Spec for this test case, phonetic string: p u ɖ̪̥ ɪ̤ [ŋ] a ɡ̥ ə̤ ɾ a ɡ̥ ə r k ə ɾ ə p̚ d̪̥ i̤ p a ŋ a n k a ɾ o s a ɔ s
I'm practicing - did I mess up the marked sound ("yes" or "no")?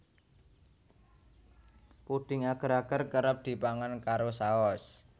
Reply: no